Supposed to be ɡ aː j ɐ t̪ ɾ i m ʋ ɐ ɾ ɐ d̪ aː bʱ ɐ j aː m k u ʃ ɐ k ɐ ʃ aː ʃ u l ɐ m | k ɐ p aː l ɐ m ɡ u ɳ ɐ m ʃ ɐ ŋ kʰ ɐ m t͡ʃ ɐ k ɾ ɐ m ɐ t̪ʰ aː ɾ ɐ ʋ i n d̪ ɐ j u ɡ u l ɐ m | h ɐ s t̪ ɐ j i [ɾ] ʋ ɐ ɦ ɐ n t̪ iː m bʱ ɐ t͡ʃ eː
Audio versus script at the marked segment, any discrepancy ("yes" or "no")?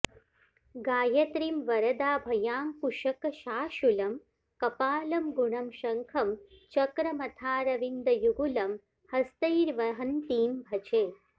no